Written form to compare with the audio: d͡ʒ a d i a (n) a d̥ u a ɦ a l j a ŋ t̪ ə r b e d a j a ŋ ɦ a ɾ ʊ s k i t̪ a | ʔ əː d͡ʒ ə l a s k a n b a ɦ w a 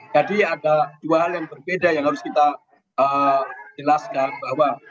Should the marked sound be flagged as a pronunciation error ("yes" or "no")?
yes